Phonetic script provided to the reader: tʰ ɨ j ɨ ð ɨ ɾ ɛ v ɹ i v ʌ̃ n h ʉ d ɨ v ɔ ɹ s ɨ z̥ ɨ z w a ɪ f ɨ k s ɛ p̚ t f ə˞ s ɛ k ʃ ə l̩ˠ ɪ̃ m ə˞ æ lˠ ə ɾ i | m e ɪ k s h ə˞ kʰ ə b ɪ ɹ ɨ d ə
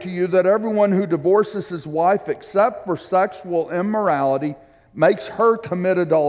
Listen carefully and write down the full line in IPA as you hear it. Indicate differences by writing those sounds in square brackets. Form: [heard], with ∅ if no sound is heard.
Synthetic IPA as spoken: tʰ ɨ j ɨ ð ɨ ɾ ɛ v ɹ i [w] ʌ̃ n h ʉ d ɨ v ɔ ɹ s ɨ z̥ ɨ z w a ɪ f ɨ k s ɛ p̚ t f ə˞ s ɛ k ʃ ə l̩ˠ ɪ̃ m ə˞ æ lˠ ə ɾ i | m e ɪ k s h ə˞ kʰ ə [m] ɪ [ɾ] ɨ d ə